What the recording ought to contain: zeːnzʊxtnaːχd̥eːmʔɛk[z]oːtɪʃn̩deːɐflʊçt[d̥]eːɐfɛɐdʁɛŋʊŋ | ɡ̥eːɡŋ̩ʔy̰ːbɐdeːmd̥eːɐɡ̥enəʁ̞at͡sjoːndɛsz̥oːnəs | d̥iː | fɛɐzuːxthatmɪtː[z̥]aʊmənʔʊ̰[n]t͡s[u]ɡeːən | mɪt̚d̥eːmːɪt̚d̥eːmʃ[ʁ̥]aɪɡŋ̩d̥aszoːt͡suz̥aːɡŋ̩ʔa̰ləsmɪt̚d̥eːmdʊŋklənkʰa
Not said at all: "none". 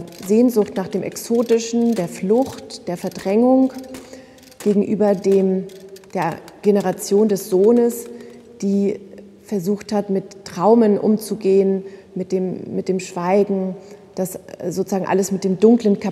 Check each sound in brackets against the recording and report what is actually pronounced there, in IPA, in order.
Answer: s, d̥, ʁ̥, m, u, v̥

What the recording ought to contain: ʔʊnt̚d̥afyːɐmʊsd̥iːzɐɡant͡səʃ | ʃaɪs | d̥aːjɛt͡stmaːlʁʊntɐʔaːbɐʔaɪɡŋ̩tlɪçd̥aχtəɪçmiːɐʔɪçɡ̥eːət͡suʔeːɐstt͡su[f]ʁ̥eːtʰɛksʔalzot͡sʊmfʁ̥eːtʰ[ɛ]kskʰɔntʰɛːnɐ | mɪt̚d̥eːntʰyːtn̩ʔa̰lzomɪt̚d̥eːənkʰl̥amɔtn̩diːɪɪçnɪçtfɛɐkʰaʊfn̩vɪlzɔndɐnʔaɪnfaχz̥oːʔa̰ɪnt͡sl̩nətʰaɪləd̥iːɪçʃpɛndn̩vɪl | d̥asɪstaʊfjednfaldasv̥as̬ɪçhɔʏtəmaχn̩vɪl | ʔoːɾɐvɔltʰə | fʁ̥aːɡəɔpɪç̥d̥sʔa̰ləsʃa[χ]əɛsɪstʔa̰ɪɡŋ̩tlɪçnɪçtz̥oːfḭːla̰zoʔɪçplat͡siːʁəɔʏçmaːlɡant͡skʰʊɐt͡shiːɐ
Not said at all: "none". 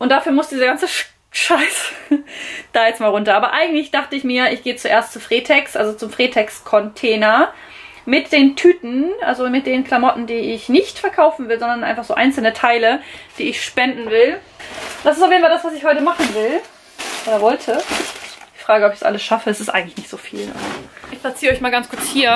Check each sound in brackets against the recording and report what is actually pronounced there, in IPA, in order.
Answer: f, ɛ, f

